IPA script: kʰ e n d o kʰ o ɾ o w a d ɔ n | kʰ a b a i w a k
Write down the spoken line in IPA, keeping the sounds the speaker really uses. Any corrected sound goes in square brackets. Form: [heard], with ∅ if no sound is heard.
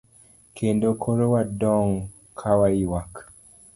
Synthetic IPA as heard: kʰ e n d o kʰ o ɾ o w a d ɔ [ŋ] | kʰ a [w] a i w a k